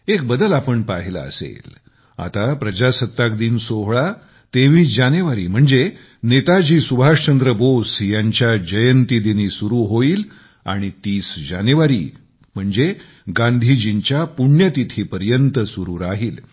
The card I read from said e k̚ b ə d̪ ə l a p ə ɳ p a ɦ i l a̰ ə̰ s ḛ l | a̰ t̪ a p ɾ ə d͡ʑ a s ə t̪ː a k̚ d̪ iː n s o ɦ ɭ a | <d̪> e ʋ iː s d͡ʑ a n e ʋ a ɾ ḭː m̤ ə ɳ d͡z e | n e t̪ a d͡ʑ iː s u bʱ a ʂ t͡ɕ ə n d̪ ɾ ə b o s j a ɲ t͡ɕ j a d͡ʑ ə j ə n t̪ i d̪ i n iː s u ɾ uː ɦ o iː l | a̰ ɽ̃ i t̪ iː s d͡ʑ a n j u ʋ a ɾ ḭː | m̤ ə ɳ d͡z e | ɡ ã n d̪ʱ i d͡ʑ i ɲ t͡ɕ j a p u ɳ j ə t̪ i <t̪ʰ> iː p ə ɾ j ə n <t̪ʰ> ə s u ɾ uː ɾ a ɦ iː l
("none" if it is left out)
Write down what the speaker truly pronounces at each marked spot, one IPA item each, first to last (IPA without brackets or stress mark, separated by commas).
t̪, t̪ʰ, t̪